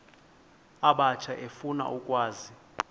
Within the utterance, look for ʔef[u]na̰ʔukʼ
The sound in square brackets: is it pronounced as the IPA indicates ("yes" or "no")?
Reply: yes